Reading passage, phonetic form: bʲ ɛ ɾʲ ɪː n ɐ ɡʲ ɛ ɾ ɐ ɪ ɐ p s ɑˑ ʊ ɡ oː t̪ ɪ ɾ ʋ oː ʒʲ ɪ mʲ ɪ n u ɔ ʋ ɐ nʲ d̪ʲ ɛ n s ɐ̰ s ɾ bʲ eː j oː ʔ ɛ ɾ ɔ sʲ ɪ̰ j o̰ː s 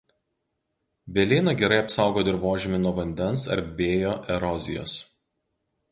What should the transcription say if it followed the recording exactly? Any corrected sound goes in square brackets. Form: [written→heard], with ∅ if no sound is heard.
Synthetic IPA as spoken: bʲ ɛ [ɾʲ→lʲ] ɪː n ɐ ɡʲ ɛ ɾ ɐ ɪ ɐ p s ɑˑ ʊ ɡ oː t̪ ɪ ɾ ʋ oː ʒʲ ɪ mʲ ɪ n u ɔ ʋ ɐ nʲ d̪ʲ ɛ n s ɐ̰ [s→∅] ɾ bʲ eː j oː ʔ ɛ ɾ ɔ [sʲ→zʲ] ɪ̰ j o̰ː s